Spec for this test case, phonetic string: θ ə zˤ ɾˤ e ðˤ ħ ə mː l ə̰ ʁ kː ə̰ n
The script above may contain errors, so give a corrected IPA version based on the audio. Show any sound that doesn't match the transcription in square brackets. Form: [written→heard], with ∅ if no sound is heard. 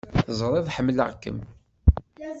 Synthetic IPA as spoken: θ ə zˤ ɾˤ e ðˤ ħ ə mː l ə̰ ʁ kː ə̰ [n→m]